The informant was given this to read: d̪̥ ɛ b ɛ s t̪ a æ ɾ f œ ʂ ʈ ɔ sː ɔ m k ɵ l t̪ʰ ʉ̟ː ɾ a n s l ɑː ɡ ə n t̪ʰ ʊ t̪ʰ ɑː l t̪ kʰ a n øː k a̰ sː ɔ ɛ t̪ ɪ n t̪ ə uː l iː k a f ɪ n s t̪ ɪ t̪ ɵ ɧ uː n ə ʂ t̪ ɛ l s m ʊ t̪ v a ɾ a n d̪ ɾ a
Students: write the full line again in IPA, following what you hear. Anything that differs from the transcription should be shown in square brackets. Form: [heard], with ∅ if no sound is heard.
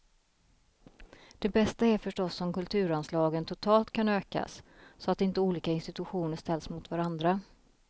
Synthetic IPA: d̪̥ ɛ b ɛ s t̪ a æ ɾ f œ ʂ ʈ ɔ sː ɔ m k ɵ l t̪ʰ ʉ̟ː ɾ a n s l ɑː ɡ ə n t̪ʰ ʊ t̪ʰ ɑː l t̪ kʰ a n øː k a̰ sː ɔ [a] t̪ ɪ n t̪ ə uː l iː k a [∅] ɪ n s t̪ ɪ t̪ ɵ ɧ uː n ə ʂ t̪ ɛ l s m ʊ t̪ v a ɾ a n d̪ ɾ a